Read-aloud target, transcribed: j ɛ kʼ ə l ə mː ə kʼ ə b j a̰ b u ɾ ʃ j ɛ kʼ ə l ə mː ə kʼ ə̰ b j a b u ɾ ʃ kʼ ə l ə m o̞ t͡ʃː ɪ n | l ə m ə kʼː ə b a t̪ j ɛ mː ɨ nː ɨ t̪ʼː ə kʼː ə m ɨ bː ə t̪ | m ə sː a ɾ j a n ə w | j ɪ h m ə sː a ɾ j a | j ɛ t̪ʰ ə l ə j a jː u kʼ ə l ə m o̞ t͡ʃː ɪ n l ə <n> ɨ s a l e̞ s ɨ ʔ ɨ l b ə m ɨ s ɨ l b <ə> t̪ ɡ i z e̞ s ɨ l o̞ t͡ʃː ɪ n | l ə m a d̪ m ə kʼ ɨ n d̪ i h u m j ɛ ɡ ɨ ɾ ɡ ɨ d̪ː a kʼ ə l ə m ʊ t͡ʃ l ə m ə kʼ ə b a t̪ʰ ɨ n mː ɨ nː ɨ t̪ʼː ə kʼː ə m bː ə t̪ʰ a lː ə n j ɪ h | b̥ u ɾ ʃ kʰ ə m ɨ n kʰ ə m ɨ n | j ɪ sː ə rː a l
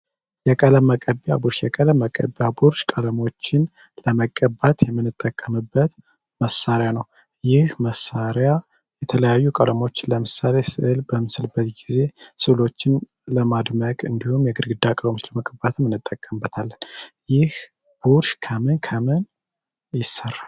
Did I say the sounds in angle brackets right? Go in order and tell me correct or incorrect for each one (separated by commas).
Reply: incorrect, correct